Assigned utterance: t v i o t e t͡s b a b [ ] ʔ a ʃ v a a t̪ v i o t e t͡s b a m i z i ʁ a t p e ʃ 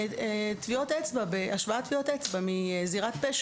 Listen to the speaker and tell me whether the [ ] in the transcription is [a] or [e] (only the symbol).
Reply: e